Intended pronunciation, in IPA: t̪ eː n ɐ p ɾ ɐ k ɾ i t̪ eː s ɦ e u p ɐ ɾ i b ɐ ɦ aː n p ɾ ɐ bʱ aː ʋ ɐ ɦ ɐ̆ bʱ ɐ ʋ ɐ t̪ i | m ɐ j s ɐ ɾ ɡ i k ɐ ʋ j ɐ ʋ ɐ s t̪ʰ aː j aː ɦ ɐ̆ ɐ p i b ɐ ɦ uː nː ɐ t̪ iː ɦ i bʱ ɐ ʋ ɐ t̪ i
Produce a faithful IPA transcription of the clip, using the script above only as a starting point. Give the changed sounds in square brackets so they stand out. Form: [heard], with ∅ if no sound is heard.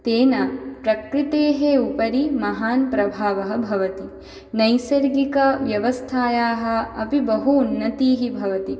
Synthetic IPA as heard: t̪ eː n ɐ p ɾ ɐ k ɾ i t̪ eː [∅] ɦ e u p ɐ ɾ i [m] ɐ ɦ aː n p ɾ ɐ bʱ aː ʋ ɐ ɦ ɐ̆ bʱ ɐ ʋ ɐ t̪ i | [n] ɐ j s ɐ ɾ ɡ i k ɐ ʋ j ɐ ʋ ɐ s t̪ʰ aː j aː ɦ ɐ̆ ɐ p i b ɐ ɦ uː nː ɐ t̪ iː ɦ i bʱ ɐ ʋ ɐ t̪ i